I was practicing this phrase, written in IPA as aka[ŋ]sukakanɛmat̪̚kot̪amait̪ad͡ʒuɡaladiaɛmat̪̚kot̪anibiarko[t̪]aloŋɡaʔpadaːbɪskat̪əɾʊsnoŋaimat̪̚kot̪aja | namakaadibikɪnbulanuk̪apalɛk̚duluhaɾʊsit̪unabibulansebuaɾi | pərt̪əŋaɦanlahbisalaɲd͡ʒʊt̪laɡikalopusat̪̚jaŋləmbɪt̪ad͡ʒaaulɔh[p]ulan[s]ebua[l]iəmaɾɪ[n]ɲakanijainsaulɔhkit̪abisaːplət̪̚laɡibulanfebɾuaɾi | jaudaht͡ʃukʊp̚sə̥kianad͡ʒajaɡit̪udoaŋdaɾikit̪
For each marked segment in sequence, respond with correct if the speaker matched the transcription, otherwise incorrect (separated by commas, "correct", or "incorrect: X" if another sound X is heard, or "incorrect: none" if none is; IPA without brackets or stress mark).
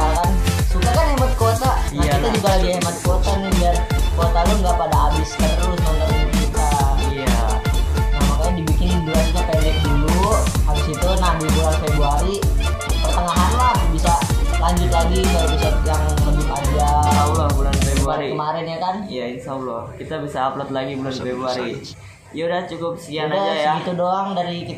incorrect: n, correct, incorrect: b, incorrect: f, incorrect: ɾ, correct